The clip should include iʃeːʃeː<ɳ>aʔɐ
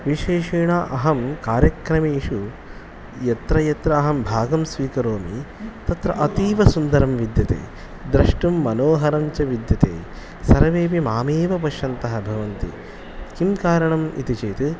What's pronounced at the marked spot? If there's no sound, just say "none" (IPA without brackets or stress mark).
ɳ